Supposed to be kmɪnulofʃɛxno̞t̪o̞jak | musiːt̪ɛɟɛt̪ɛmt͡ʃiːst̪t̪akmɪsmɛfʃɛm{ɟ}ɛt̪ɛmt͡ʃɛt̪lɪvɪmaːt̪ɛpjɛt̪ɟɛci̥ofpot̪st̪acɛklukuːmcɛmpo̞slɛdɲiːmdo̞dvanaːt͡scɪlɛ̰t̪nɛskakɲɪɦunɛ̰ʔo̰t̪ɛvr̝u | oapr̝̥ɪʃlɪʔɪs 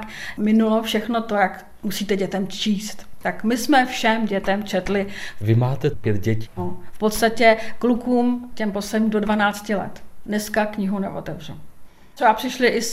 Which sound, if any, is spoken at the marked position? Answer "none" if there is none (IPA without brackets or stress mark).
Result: ɟ